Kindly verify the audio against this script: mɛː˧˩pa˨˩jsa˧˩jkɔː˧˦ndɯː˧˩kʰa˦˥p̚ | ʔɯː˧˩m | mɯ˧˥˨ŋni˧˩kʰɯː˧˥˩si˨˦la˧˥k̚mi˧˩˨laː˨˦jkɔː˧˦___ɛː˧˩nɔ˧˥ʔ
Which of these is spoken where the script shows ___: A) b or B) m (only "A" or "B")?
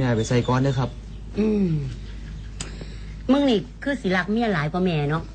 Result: B